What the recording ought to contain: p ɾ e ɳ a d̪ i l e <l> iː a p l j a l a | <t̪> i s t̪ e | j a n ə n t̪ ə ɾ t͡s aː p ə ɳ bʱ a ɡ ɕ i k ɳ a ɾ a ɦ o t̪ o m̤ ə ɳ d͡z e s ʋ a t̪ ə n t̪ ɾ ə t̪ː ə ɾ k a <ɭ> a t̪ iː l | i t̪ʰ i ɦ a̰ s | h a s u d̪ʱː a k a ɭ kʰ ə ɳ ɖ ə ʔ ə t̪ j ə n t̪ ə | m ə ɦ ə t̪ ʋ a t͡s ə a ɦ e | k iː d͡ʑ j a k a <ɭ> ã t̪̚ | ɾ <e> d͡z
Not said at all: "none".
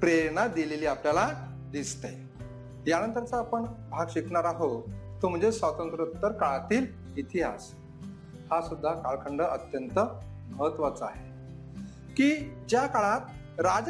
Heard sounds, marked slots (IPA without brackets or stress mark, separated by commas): l, d̪, ɭ, ɭ, a